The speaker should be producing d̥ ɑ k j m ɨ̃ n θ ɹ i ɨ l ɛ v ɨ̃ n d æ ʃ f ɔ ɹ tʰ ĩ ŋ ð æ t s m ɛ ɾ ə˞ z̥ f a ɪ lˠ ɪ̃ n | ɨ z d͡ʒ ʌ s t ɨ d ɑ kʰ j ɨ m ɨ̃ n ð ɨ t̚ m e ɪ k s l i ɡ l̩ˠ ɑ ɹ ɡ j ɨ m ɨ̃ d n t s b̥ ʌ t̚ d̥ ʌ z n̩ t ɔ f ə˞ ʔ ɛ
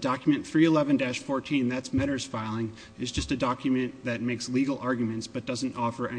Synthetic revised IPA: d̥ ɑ k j m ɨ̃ n θ ɹ i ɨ l ɛ v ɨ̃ n d æ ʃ f ɔ ɹ tʰ ĩ n ð æ t s m ɛ ɾ ə˞ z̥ f a ɪ lˠ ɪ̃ ŋ | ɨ z d͡ʒ ʌ s t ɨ d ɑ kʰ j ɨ m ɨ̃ n ð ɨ t̚ m e ɪ k s l i ɡ l̩ˠ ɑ ɹ ɡ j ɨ m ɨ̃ n t s b̥ ʌ t̚ d̥ ʌ z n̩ t ɔ f ə˞ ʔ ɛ